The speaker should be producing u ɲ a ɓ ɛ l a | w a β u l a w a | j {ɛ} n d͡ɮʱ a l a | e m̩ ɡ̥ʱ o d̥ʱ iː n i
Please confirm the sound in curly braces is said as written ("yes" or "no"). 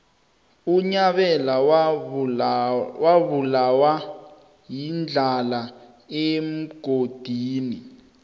no